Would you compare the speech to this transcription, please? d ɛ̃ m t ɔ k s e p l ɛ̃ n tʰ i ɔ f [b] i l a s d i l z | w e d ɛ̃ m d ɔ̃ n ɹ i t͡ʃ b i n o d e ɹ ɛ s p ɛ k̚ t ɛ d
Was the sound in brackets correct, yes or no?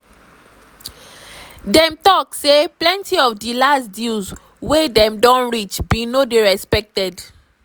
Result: no